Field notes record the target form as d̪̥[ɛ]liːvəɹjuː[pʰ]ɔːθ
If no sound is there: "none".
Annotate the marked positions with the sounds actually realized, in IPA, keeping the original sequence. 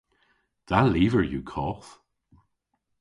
a, kʰ

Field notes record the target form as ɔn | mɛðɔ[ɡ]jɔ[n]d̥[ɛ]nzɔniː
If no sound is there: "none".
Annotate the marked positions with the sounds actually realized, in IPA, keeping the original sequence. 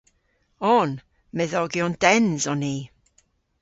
ɡ, n, ɛ

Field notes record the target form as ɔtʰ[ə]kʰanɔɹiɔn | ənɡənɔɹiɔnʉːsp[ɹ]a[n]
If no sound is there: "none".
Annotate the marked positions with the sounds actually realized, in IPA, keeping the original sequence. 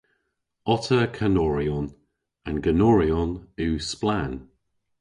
ə, l, n

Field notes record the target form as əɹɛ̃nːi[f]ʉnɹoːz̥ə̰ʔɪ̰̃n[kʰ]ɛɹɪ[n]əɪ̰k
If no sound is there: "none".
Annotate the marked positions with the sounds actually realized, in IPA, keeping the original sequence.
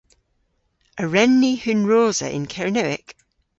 h, kʰ, n

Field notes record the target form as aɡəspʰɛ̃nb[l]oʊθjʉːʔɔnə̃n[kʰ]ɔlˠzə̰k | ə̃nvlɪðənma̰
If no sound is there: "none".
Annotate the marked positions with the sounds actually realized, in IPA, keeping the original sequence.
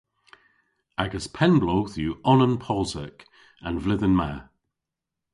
l, pʰ

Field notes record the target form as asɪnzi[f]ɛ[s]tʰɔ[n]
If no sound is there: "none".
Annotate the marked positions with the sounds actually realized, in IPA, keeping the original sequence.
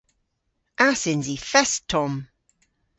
f, s, m

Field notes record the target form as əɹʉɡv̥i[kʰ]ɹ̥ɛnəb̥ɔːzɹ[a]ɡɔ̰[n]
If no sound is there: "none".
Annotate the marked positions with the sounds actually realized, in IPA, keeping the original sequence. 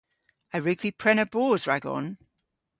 pʰ, a, n

